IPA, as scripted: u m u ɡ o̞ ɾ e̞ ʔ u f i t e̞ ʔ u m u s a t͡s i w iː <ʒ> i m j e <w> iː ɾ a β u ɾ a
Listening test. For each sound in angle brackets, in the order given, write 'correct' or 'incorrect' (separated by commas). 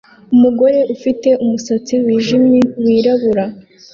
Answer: correct, correct